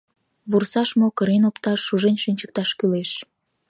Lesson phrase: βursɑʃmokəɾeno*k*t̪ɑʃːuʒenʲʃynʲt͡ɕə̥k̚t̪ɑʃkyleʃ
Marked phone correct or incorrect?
incorrect